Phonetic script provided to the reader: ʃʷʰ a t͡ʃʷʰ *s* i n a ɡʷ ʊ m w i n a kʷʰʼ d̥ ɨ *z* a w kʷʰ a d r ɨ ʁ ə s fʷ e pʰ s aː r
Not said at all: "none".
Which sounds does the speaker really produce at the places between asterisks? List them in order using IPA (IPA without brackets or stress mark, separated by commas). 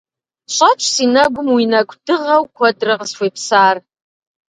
s, ʁ